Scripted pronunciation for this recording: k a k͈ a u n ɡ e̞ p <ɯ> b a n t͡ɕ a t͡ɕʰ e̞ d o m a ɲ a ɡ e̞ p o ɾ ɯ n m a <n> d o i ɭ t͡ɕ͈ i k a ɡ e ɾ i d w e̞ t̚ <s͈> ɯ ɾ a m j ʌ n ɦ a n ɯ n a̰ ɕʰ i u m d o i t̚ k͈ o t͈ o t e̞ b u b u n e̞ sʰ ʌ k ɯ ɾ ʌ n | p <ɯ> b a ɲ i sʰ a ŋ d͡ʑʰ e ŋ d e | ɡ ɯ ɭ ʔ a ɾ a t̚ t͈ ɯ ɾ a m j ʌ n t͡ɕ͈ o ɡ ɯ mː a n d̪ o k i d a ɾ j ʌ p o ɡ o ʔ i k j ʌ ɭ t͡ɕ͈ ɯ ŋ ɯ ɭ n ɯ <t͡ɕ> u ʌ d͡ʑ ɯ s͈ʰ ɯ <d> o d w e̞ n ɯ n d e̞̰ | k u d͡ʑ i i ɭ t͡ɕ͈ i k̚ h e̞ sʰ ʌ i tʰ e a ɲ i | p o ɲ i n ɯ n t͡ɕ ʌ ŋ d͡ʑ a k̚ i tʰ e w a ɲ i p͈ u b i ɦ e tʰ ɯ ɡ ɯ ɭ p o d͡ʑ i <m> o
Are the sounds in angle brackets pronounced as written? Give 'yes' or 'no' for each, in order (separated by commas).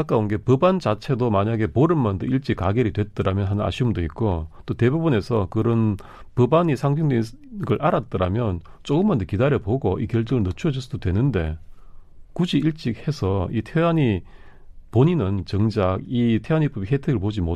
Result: yes, yes, no, yes, no, yes, yes